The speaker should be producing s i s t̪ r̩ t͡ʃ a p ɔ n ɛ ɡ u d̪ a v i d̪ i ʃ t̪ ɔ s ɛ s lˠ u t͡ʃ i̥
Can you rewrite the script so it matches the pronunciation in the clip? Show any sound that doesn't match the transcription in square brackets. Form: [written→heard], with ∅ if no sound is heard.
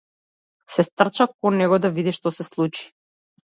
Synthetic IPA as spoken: s [i→ɛ] s t̪ r̩ t͡ʃ a [p→k] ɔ n ɛ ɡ [u→ɔ] d̪ a v i d̪ i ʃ t̪ ɔ s ɛ s lˠ u t͡ʃ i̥